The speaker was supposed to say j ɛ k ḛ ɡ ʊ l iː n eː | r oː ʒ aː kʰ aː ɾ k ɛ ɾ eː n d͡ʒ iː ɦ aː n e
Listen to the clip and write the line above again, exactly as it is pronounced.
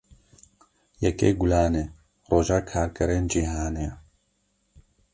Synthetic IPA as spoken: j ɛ k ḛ ɡ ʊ l aː n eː | r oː ʒ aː kʰ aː ɾ k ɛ ɾ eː n d͡ʒ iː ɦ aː n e